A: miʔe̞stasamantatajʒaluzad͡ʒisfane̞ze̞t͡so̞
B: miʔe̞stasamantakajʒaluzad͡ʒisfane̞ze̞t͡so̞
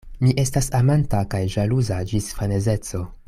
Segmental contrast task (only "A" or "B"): B